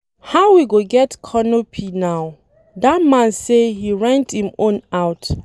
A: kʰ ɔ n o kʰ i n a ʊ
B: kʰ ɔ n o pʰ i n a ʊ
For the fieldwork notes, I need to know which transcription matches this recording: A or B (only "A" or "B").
B